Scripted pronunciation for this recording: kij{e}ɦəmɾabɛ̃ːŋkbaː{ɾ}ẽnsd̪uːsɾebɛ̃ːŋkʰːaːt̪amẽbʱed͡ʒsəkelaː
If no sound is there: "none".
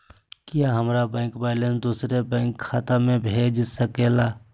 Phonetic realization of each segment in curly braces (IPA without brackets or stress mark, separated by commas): a, l